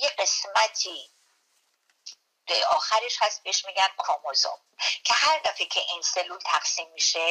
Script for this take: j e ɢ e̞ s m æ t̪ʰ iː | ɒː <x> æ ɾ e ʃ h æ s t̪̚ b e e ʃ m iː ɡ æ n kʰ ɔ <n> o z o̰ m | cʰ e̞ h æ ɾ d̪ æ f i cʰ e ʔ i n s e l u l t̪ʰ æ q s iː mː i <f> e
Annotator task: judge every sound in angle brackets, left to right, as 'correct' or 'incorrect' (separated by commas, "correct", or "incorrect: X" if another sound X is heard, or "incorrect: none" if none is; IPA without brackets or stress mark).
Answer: correct, incorrect: m, incorrect: ʃ